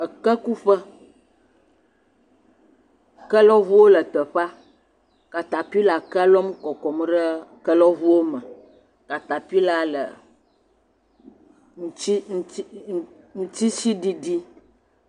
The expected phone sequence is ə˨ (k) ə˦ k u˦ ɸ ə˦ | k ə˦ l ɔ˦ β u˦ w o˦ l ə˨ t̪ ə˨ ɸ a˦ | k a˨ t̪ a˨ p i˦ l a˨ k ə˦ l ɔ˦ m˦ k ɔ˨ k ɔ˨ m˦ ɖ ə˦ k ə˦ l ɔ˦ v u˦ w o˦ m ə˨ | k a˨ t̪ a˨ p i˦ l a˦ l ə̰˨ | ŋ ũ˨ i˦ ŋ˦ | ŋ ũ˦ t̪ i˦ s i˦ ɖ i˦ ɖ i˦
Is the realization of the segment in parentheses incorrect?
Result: no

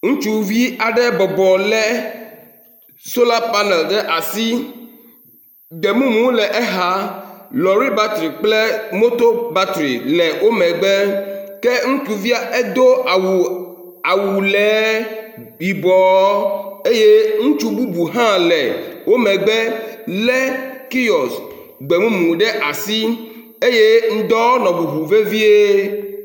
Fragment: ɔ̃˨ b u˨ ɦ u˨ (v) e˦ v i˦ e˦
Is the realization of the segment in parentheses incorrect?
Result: no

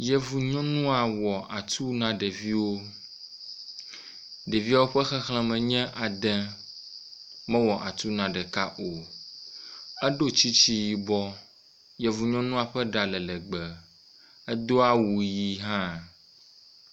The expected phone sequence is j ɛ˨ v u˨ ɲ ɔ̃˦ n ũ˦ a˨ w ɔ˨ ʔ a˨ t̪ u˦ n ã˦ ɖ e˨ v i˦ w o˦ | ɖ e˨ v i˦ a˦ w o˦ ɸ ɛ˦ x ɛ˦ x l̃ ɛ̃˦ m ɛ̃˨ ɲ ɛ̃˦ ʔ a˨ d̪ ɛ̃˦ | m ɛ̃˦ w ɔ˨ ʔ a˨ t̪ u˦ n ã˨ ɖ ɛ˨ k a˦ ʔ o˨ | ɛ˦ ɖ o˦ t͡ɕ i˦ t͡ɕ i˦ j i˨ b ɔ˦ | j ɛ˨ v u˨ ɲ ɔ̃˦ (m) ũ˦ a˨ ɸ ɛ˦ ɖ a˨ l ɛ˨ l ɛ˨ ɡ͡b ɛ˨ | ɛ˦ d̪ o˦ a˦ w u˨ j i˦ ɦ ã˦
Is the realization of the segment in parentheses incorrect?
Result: yes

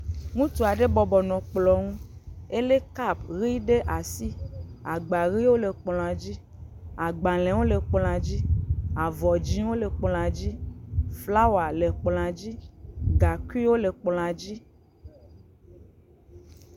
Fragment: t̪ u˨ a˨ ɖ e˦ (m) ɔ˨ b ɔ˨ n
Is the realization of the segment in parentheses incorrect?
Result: yes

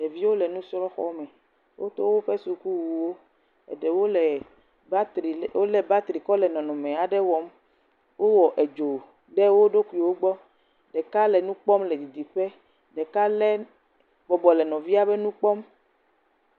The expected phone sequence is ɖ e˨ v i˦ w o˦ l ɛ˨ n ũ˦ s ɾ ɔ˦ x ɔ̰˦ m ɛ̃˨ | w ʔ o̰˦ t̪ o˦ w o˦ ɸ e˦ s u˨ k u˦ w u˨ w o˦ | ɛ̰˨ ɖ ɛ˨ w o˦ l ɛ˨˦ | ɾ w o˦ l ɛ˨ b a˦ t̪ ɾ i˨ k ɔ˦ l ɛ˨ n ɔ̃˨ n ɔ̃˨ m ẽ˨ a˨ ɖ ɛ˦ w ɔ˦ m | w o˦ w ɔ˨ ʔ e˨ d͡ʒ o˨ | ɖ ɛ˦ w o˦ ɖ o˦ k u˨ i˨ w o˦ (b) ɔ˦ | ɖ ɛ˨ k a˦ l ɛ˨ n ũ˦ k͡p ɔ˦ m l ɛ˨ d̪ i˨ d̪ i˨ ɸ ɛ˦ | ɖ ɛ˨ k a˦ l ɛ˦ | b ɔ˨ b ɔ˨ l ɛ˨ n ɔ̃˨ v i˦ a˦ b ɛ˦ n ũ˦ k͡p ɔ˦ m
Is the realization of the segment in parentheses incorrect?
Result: yes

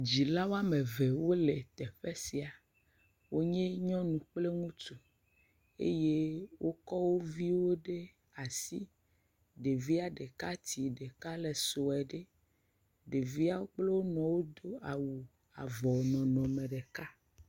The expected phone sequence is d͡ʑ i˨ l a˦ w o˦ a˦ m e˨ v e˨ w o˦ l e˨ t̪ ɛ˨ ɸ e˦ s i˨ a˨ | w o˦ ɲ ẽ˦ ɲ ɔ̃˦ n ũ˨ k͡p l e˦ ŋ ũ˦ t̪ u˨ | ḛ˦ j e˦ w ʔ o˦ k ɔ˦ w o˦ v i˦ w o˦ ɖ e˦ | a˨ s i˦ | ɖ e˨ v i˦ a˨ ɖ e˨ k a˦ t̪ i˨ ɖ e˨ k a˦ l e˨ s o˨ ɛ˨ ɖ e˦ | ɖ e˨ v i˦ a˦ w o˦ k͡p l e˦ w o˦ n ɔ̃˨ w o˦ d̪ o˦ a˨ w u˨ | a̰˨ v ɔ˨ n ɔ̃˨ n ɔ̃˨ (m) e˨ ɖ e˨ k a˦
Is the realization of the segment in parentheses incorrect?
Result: no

